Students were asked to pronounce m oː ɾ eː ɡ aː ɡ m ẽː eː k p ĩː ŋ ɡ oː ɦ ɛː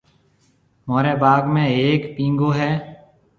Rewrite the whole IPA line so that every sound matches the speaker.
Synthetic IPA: m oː ɾ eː b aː ɡ m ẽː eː k p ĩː ŋ ɡ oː ɦ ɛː